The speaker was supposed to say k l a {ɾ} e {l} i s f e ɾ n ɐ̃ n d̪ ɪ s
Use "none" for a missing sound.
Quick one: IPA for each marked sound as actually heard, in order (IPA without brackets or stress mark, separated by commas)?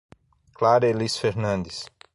ɾ, l